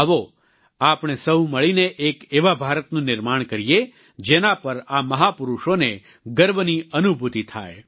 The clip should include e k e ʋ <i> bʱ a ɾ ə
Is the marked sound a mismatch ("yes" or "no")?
yes